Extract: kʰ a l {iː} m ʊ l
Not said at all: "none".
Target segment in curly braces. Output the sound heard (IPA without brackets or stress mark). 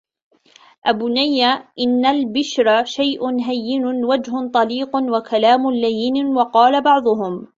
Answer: aː